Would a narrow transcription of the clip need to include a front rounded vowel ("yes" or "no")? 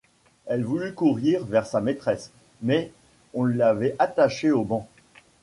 yes